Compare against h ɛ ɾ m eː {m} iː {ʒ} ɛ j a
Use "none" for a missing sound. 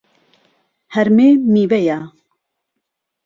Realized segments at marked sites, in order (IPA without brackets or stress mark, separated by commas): m, v